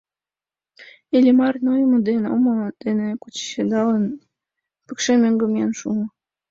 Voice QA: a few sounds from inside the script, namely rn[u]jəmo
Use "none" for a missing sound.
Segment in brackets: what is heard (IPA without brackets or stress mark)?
o